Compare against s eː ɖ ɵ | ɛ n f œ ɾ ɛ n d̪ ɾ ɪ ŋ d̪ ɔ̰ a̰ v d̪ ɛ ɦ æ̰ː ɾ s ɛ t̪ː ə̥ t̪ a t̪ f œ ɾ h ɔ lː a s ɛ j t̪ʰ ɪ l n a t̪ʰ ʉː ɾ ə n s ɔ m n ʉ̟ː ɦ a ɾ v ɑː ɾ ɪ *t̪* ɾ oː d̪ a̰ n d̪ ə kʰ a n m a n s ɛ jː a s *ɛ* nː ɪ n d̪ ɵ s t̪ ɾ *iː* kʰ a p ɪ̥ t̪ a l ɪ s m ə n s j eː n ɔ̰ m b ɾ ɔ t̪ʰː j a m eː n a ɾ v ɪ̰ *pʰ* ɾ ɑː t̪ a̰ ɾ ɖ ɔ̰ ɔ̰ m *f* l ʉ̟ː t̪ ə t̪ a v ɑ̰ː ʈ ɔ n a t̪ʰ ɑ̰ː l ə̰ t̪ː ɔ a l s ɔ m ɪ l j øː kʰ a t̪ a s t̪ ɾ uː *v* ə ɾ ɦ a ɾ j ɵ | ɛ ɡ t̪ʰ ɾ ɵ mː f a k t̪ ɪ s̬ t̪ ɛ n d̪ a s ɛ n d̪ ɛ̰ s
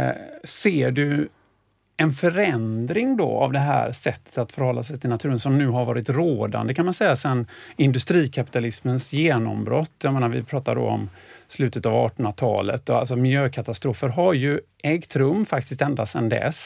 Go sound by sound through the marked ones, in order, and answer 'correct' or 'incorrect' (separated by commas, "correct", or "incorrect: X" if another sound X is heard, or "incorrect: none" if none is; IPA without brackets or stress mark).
correct, correct, correct, correct, incorrect: s, incorrect: f